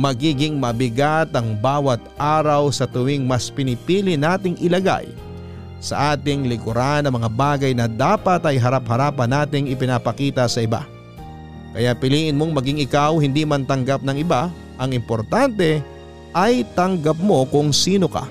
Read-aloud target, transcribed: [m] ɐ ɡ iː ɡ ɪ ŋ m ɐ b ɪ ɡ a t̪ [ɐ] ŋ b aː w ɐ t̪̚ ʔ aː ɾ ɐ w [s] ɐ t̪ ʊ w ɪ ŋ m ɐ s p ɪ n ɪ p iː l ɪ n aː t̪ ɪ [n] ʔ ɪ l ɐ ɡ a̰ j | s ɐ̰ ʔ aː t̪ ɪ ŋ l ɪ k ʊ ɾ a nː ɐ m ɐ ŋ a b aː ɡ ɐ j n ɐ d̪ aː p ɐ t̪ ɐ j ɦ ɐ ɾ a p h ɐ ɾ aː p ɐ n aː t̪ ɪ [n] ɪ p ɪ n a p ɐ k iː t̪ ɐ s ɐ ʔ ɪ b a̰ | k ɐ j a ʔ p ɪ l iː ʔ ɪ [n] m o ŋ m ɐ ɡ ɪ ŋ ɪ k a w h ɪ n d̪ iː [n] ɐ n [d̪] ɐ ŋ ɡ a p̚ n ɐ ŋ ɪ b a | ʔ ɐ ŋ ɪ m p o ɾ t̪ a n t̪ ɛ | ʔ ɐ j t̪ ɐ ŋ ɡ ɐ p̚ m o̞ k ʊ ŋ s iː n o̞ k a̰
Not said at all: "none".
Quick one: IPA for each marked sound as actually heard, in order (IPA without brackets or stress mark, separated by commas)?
m, ɐ, s, ŋ, ŋ, n, m, t̪